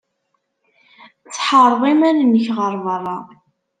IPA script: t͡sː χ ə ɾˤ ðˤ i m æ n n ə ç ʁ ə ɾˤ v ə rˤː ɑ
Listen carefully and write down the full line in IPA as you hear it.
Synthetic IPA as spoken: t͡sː ħ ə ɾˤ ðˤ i m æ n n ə ç ʁ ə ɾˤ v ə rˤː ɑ